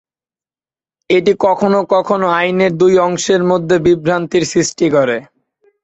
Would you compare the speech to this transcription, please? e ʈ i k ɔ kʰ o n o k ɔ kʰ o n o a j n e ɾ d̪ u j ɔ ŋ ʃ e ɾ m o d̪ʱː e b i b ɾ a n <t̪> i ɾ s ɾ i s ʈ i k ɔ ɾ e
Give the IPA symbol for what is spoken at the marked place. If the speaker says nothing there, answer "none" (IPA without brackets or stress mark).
t̪